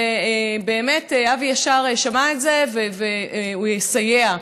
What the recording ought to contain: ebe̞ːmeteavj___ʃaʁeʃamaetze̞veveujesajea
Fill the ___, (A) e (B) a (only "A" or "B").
B